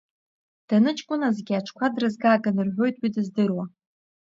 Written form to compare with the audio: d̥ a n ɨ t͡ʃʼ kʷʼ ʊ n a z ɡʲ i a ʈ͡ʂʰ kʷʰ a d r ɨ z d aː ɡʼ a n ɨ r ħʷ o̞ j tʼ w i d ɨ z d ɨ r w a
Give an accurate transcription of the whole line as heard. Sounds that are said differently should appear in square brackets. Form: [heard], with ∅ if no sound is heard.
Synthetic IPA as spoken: d̥ a n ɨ t͡ʃʼ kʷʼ ʊ n a z ɡʲ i a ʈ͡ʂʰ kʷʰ a d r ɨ z [ɡ] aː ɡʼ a n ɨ r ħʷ o̞ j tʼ w i d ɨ z d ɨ r w a